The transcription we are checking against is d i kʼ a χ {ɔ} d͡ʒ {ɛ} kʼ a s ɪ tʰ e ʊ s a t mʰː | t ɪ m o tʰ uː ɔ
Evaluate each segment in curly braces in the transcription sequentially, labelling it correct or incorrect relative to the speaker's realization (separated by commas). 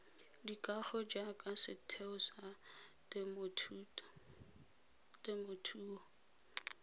correct, incorrect